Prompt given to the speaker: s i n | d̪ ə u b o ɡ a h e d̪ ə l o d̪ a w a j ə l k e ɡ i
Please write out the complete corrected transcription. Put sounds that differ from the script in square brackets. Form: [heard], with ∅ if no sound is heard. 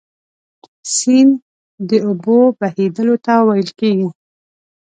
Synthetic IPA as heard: s i n | d̪ ə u b o [b] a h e d̪ ə l o [t̪] a w a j ə l k e ɡ i